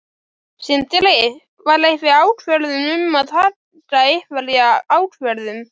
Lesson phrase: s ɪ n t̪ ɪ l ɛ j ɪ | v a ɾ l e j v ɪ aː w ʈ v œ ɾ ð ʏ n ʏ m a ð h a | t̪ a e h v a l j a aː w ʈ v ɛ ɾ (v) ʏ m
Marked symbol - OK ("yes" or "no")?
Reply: no